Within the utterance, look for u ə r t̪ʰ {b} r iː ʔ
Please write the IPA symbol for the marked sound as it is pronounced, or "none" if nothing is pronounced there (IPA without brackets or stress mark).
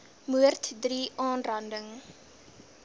d